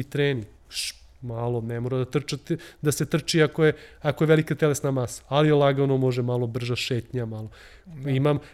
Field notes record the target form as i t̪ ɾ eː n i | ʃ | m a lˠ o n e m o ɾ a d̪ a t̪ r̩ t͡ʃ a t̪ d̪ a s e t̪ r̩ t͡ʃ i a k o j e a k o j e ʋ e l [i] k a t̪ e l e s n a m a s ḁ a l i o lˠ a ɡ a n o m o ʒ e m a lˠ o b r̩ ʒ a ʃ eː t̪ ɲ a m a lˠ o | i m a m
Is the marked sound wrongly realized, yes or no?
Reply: no